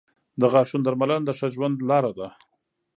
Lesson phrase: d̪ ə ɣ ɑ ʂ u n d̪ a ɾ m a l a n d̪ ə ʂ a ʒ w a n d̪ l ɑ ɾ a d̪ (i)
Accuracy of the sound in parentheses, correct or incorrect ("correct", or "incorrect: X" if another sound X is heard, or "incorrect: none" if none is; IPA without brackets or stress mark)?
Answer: incorrect: a